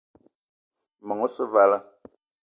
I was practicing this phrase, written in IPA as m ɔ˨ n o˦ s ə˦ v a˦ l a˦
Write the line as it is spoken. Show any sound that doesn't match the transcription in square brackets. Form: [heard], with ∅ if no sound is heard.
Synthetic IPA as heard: m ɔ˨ [ŋ] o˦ s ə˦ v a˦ l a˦